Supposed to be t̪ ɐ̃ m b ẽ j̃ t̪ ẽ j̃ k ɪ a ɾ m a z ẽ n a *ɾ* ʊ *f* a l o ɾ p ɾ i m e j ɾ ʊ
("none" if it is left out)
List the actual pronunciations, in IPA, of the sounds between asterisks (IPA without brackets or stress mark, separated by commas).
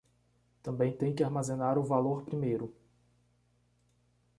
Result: ɾ, v